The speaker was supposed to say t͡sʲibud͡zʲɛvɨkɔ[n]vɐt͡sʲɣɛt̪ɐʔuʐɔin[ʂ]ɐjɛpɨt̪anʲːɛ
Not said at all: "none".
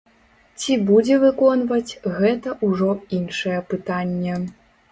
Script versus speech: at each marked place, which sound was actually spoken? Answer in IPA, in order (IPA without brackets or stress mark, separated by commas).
n, ʂ